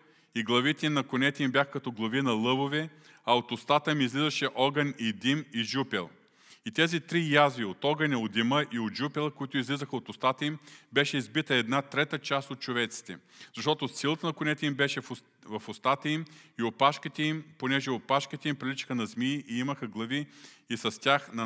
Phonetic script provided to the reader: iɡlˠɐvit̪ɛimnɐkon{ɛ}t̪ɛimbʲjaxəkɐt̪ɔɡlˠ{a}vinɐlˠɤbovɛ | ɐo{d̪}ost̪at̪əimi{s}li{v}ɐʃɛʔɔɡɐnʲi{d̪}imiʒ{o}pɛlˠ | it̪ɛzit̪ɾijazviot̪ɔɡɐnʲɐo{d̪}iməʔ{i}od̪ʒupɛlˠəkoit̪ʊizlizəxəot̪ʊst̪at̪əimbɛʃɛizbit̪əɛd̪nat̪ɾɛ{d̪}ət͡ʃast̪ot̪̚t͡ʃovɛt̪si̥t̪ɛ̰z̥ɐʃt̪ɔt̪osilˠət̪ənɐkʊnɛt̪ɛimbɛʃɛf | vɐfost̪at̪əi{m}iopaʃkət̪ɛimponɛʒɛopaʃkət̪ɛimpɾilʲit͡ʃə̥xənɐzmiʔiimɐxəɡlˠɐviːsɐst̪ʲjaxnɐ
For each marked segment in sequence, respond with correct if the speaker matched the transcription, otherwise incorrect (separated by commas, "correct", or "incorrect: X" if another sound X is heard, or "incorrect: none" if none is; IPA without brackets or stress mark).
correct, incorrect: ɐ, incorrect: t̪, incorrect: z, incorrect: z, correct, incorrect: u, correct, correct, incorrect: t̪, correct